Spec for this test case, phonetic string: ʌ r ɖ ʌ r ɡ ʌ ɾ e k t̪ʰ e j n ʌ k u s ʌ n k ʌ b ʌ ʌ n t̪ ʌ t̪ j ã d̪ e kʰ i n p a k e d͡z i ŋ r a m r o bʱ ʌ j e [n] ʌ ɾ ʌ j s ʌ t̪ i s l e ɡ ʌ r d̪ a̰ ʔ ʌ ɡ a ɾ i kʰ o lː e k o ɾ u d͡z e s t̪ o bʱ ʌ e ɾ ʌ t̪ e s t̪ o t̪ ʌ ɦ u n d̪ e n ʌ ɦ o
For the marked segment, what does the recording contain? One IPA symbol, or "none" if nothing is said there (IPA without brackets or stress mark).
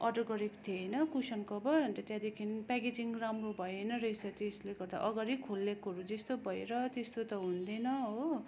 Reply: n